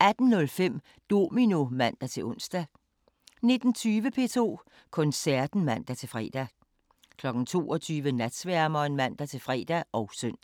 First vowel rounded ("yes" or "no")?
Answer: no